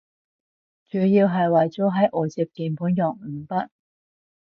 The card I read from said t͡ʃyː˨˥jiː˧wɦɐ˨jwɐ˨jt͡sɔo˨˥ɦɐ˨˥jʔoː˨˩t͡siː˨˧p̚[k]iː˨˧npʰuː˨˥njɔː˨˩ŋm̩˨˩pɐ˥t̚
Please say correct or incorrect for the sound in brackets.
correct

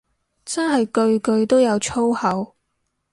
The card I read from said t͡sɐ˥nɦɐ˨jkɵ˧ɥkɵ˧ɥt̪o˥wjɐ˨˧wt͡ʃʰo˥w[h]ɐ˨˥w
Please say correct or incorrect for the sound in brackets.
correct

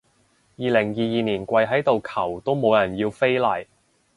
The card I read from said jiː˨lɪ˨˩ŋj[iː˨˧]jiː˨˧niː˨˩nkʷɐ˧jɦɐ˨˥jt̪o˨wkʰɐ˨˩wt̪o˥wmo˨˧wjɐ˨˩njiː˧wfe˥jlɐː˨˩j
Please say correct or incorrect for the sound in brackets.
correct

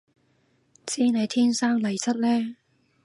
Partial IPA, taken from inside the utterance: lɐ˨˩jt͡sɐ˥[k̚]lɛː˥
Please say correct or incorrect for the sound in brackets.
incorrect: t̚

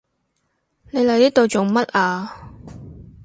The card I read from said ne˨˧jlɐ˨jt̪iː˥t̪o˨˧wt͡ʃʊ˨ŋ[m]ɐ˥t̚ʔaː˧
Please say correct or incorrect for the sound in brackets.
correct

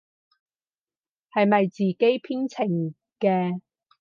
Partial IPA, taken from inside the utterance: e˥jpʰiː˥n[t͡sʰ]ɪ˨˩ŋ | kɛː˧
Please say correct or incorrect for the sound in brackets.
correct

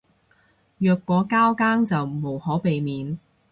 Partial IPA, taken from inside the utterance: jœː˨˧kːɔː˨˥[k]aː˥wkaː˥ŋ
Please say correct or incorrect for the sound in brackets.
correct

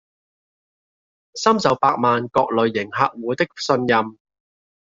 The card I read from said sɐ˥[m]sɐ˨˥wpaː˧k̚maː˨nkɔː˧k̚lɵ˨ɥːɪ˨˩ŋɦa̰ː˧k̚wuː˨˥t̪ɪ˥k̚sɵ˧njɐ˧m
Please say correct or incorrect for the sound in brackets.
correct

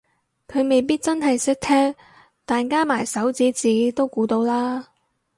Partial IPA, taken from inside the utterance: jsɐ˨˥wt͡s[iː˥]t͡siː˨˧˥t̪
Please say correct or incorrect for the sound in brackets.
incorrect: iː˨˥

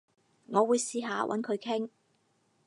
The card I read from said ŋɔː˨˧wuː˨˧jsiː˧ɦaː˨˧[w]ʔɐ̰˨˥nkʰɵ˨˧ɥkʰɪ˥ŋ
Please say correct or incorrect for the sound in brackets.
correct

